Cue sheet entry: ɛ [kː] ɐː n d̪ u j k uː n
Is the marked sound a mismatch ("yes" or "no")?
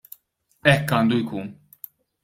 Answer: no